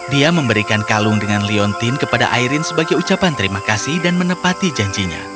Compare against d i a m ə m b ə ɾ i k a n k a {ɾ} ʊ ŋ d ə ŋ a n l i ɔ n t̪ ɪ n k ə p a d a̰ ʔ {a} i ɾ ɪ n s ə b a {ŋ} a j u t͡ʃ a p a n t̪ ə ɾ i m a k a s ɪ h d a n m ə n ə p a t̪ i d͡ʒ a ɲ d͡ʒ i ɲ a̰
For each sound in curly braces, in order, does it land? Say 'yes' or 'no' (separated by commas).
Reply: no, yes, no